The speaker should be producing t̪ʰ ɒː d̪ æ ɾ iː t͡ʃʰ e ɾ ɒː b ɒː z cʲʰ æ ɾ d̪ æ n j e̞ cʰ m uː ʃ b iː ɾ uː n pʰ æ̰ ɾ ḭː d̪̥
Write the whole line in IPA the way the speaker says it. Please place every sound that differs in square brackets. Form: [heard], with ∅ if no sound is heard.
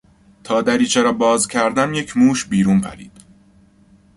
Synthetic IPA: t̪ʰ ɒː d̪ æ ɾ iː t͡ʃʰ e ɾ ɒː b ɒː z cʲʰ æ ɾ d̪ æ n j e̞ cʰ m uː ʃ b iː ɾ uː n pʰ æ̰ ɾ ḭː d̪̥

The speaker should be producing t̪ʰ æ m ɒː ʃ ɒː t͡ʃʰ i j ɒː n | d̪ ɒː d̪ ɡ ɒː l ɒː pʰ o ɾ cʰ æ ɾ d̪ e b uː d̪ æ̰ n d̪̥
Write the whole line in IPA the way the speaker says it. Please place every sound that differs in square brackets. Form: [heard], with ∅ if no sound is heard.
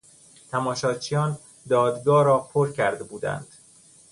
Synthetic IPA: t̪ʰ æ m ɒː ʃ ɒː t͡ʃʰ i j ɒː n | d̪ ɒː d̪ ɡ ɒː [ɾ] ɒː pʰ o ɾ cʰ æ ɾ d̪ e b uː d̪ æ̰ n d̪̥

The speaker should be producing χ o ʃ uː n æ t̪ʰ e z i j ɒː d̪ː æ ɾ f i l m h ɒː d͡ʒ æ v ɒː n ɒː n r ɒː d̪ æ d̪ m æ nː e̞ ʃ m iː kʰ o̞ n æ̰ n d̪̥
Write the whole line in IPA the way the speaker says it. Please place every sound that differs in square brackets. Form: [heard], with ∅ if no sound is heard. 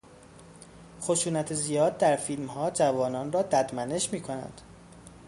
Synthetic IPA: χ o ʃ uː n æ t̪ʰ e z i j ɒː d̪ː æ ɾ f i l m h ɒː d͡ʒ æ v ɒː n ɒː n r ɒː d̪ æ d̪ m æ [n] e̞ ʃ m iː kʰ o̞ n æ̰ n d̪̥

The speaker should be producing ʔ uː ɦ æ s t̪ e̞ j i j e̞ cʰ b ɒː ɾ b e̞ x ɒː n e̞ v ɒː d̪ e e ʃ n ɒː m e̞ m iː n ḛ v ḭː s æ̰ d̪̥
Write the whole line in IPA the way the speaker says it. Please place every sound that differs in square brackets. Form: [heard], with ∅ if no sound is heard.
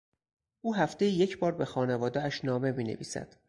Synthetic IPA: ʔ uː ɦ æ [f] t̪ e̞ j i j e̞ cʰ b ɒː ɾ b e̞ x ɒː n e̞ v ɒː d̪ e [æ] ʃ n ɒː m e̞ m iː n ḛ v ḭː s æ̰ d̪̥

